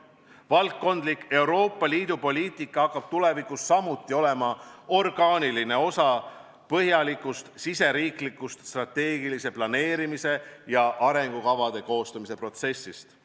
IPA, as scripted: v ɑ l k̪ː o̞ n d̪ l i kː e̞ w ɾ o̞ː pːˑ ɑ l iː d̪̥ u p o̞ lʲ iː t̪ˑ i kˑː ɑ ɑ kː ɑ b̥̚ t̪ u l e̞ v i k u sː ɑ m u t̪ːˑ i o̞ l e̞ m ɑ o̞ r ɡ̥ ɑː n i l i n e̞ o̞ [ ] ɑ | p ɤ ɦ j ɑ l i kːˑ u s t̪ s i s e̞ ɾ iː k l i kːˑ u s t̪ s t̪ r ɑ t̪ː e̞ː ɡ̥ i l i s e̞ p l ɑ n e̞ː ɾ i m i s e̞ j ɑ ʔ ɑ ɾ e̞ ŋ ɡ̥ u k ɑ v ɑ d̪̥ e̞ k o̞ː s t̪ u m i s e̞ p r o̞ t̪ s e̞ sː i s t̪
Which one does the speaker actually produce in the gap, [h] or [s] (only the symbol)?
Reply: s